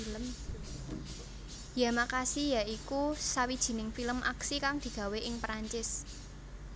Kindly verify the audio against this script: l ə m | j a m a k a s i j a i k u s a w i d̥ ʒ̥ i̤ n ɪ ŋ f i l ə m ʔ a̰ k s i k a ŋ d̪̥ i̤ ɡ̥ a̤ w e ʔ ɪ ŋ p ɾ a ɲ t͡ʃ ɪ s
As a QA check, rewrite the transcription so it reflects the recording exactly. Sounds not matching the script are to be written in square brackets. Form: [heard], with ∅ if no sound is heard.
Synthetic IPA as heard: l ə m | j a m a k a s i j a i k u s a w i d̥ ʒ̥ i̤ n ɪ ŋ f i l ə m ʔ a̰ k s i k a ŋ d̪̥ i̤ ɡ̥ a̤ w e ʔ ɪ ŋ p ɾ a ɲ t͡ʃ ɪ s